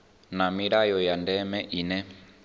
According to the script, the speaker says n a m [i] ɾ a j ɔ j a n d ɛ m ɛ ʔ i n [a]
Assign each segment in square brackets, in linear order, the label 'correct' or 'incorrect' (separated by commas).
correct, incorrect